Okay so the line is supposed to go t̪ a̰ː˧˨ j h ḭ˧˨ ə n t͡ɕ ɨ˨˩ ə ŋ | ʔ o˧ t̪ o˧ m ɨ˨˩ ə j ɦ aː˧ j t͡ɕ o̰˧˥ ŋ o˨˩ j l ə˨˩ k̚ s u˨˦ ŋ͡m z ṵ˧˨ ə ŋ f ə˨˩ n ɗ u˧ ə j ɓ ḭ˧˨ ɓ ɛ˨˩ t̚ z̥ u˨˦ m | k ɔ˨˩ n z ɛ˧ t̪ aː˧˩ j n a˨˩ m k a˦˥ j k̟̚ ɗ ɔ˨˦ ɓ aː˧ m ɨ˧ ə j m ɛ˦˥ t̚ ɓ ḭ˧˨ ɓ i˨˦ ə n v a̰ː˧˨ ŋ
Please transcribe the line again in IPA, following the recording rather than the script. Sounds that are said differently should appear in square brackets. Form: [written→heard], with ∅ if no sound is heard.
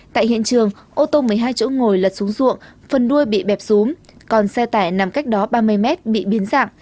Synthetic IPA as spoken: t̪ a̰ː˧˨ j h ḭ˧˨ ə n t͡ɕ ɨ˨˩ ə ŋ | ʔ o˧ t̪ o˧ m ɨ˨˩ ə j ɦ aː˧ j t͡ɕ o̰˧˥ ŋ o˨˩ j l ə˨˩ [k̚→t̚] s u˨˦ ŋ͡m z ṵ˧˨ ə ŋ f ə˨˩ n ɗ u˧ ə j ɓ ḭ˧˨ ɓ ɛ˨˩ [t̚→p̚] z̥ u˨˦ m | k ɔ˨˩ n [z→s] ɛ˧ t̪ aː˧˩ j n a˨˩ m k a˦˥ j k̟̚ ɗ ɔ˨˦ ɓ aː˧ m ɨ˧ ə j m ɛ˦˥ t̚ ɓ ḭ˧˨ ɓ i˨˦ ə n [v→z] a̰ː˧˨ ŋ